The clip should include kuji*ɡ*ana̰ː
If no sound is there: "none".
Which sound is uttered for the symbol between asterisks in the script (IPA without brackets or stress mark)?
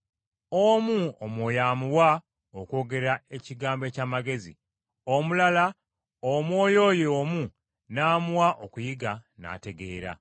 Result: ɡ